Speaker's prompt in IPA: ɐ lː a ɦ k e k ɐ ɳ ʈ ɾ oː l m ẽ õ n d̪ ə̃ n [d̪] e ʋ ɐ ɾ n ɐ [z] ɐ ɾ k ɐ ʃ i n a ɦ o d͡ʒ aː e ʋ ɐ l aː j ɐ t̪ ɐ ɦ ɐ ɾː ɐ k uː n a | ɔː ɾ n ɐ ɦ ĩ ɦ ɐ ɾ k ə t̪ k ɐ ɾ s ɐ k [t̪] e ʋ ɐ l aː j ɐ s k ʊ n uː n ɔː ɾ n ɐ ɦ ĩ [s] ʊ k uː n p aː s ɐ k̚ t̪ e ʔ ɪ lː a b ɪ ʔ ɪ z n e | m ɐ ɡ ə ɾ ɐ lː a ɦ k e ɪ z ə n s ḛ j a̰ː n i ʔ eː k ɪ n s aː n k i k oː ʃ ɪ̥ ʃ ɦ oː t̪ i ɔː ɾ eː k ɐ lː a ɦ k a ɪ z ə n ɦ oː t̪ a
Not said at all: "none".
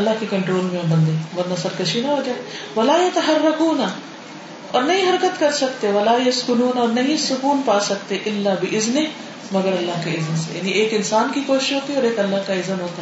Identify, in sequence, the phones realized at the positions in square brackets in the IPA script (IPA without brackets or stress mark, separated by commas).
d̪, s, t̪, s